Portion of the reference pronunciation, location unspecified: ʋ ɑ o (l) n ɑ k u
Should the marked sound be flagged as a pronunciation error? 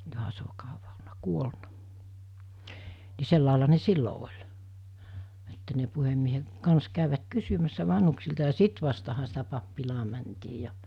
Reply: no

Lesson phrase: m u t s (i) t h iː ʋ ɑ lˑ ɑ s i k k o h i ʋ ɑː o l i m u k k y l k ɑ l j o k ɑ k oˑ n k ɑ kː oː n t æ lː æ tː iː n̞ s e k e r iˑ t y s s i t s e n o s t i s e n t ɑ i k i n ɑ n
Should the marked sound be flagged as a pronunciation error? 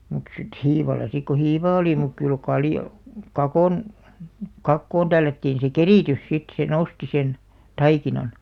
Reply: no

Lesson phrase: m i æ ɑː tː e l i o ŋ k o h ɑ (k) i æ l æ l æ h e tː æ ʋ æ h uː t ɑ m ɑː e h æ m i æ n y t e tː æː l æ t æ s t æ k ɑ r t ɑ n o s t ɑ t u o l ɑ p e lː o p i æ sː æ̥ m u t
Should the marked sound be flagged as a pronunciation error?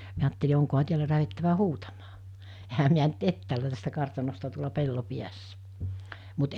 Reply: yes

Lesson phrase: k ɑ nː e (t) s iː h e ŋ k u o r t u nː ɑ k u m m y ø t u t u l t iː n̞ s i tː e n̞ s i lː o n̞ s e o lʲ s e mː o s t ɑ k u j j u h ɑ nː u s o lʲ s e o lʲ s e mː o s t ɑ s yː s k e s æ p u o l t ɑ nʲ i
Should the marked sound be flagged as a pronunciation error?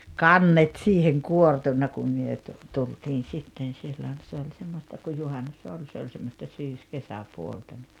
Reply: no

